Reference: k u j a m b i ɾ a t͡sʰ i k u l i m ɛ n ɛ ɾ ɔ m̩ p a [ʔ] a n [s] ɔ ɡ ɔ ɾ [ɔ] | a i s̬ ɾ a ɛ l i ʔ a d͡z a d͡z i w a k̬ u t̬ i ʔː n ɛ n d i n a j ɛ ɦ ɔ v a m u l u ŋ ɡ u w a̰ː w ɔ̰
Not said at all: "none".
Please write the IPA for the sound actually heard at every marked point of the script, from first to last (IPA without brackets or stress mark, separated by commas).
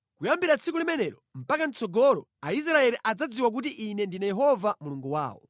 k, t͡s, ɔ